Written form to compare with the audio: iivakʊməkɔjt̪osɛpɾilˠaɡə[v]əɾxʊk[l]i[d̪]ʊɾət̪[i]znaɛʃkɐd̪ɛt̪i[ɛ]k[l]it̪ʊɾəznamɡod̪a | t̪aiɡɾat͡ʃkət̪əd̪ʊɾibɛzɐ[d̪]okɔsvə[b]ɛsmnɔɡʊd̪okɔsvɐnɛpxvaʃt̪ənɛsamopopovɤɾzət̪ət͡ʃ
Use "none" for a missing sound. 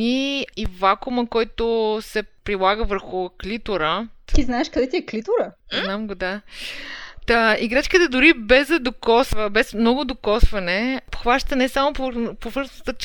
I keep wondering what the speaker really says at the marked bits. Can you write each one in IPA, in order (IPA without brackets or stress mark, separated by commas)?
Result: v, l, t̪, i, ɛ, l, d̪, b